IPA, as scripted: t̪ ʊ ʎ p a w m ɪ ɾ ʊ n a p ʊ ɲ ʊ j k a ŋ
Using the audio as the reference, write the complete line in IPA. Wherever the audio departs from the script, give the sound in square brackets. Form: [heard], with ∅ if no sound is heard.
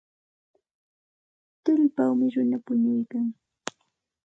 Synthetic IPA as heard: t̪ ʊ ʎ p a w m ɪ ɾ ʊ n a p ʊ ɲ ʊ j k a ŋ